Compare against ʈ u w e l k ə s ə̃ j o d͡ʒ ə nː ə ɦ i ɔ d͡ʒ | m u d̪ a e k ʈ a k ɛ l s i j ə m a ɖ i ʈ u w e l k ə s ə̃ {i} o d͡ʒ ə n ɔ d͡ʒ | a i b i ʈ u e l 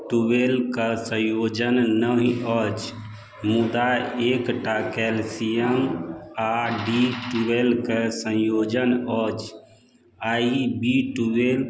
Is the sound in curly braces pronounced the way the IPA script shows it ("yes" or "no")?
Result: no